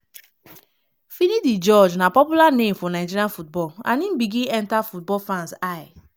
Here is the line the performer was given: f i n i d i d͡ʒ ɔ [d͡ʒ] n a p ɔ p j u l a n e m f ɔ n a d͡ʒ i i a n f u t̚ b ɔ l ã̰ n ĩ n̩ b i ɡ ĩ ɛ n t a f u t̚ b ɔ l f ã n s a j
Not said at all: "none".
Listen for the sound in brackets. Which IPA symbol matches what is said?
d͡ʒ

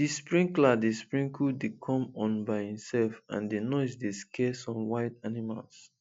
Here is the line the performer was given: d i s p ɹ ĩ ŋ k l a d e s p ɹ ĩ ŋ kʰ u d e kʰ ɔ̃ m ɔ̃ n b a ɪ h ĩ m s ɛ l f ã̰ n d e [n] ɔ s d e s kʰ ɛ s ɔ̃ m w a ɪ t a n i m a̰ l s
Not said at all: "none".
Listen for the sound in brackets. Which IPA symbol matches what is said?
n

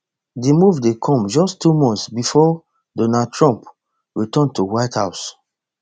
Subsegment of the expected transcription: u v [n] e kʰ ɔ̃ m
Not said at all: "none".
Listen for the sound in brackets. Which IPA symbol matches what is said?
d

